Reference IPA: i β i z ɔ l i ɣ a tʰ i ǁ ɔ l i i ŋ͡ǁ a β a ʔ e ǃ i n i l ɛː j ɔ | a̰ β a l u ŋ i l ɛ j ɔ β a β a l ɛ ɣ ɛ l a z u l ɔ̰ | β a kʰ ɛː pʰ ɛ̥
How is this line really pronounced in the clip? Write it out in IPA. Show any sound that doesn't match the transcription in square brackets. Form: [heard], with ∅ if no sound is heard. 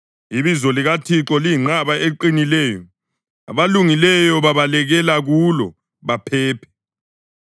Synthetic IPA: i β i z ɔ l i ɣ a tʰ i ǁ ɔ l i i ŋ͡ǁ a β a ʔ e ǃ i n i l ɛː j ɔ | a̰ β a l u ŋ i l ɛ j ɔ β a β a l ɛ ɣ ɛ l a [ɣ] u l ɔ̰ | β a [pʰ] ɛː pʰ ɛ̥